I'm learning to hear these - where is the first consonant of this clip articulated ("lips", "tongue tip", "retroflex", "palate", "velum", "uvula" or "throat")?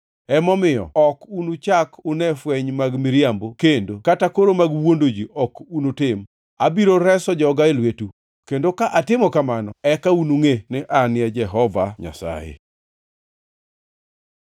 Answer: lips